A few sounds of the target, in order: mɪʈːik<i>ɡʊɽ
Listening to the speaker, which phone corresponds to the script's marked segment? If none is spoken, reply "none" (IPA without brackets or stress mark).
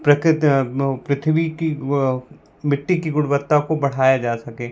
i